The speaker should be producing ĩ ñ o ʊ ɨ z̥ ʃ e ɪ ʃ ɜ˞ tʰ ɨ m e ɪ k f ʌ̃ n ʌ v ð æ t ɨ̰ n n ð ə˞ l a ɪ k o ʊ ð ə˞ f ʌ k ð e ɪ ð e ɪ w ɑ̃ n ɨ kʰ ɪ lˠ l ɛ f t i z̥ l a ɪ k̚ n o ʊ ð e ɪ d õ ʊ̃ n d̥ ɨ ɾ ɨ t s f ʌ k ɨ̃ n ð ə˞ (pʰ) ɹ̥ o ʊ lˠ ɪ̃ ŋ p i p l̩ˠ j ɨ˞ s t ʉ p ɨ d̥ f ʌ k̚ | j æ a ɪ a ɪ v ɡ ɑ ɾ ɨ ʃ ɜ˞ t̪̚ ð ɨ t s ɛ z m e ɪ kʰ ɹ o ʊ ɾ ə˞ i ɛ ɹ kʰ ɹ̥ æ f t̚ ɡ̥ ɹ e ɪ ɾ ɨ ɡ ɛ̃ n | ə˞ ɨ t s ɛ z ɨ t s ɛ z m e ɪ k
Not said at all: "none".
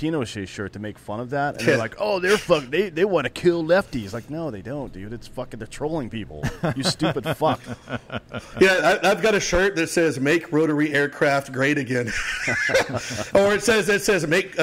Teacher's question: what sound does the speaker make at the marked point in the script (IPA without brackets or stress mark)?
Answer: tʰ